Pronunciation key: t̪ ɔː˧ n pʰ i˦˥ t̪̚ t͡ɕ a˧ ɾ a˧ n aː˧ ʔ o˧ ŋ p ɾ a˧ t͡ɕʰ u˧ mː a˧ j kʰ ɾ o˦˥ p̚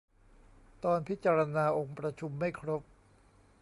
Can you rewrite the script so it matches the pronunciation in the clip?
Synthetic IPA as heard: t̪ ɔː˧ n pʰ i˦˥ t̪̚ t͡ɕ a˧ ɾ a˧ n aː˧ ʔ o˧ ŋ p ɾ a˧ t͡ɕʰ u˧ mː a˥˩ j kʰ ɾ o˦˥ p̚